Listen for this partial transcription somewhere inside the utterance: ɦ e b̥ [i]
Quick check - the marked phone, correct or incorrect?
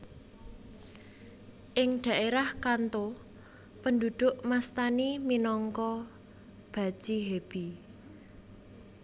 correct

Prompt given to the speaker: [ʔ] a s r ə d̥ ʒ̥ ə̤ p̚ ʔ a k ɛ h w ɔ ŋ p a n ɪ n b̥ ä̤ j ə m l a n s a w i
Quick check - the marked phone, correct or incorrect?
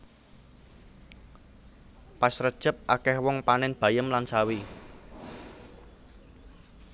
incorrect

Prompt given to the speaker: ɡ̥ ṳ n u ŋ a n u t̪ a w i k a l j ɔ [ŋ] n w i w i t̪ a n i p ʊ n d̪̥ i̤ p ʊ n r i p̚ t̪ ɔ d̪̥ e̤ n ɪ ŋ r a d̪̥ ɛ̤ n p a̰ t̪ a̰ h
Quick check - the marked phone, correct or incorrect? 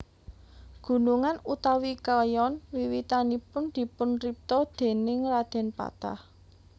incorrect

